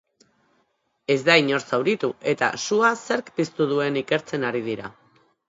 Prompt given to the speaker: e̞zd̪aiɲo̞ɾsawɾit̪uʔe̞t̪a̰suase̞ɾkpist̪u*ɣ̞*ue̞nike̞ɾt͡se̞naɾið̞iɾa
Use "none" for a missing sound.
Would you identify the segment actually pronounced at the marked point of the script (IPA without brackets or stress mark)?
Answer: ð̞